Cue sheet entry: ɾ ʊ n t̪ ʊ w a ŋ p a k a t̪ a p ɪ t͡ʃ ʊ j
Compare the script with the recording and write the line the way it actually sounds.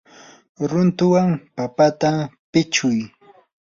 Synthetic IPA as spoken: ɾ ʊ n t̪ ʊ w a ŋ p a p a t̪ a p ɪ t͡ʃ ʊ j